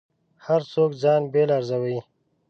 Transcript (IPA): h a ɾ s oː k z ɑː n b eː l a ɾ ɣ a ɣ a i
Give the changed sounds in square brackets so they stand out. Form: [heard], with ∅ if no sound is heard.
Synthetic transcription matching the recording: h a ɾ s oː k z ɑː n b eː l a ɾ [z] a [w] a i